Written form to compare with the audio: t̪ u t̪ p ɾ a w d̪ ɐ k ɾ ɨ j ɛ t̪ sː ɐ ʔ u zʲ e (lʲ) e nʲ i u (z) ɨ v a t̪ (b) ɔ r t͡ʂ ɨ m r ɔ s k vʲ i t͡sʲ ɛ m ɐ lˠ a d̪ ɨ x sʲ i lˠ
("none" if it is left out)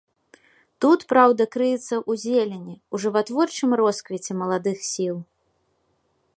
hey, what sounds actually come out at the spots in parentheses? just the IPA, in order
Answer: lʲ, ʐ, v

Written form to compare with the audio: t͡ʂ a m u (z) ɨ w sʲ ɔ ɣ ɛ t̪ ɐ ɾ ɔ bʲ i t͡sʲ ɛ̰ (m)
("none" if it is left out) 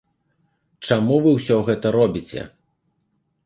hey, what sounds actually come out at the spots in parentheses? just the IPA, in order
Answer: v, none

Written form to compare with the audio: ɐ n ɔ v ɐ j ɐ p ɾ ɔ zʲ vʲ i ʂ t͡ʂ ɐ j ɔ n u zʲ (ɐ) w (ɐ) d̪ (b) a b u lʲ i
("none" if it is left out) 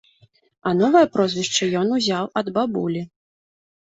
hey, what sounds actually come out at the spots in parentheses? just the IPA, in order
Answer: a, ɐ, b

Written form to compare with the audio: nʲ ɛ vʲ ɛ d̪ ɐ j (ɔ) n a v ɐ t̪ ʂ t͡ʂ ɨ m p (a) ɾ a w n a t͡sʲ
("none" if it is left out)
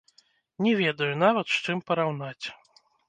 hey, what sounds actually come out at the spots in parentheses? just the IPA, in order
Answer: u, ɐ

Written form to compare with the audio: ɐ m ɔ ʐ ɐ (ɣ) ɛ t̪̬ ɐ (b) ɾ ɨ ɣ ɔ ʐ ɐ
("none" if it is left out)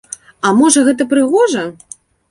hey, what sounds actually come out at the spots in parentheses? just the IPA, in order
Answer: ɣ, p

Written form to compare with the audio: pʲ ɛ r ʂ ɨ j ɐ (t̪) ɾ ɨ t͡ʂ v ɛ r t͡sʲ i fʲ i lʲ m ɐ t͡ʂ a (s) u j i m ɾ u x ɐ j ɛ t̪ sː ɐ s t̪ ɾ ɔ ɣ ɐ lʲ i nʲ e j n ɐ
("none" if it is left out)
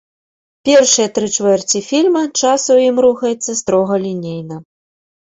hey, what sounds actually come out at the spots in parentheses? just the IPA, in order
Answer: t̪, s

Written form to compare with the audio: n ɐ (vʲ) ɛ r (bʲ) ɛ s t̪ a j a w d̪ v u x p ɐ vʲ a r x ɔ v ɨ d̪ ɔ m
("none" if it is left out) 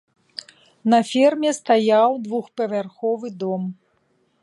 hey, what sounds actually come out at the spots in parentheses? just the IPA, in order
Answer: fʲ, mʲ

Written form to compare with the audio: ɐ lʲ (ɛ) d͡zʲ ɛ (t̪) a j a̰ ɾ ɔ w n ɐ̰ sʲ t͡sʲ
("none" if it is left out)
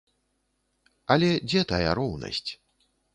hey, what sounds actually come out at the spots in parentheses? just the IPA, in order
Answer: ɛ, t̪

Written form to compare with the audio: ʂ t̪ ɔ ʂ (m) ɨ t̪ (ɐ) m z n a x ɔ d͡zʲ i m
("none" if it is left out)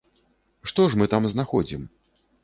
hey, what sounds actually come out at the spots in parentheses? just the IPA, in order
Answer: m, a

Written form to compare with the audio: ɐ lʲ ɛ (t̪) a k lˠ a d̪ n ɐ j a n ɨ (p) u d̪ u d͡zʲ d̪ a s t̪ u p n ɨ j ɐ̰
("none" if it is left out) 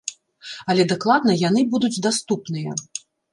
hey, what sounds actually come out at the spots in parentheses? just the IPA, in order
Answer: d̪, b

